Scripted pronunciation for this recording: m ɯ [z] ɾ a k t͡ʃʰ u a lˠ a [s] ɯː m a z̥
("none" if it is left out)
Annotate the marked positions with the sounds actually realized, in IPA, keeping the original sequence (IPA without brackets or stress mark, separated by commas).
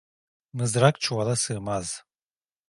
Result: z, s